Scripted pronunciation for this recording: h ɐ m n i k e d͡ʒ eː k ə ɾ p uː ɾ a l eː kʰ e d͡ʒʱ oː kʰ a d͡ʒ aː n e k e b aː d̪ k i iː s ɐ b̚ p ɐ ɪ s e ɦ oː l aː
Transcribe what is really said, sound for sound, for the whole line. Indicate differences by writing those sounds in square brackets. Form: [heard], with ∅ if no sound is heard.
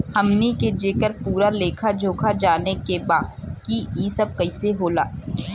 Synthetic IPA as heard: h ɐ m n i k e d͡ʒ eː k ə ɾ p uː ɾ a l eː kʰ [a] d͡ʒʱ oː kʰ a d͡ʒ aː n e k e b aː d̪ k i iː s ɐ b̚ [k] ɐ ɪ s e ɦ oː l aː